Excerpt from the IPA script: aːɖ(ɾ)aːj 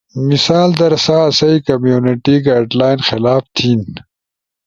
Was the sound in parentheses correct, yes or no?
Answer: no